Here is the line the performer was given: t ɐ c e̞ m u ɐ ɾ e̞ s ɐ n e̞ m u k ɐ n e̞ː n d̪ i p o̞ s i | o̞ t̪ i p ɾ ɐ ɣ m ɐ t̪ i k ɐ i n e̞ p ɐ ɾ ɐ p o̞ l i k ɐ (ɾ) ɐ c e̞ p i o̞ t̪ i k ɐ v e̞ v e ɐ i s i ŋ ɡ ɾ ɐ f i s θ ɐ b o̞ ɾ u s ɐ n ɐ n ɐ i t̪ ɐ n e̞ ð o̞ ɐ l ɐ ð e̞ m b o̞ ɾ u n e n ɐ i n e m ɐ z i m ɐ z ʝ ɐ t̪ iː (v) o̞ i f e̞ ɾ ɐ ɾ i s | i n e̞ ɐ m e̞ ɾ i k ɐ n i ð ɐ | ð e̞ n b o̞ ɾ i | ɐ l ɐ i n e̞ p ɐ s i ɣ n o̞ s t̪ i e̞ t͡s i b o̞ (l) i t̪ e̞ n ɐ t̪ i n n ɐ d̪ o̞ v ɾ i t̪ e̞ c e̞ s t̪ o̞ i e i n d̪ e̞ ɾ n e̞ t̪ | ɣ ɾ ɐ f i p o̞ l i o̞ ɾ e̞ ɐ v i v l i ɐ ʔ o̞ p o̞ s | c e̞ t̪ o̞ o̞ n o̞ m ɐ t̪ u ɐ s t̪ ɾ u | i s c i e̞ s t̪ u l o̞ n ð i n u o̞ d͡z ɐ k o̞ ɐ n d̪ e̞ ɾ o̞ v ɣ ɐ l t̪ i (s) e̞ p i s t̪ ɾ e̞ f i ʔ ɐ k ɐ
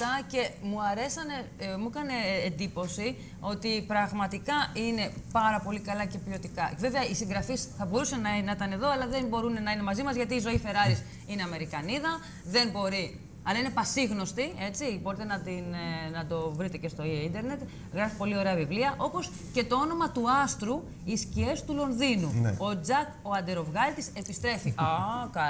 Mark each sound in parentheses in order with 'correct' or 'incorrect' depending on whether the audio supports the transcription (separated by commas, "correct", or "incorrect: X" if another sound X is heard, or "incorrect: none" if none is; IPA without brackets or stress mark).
incorrect: l, incorrect: z, incorrect: ɾ, correct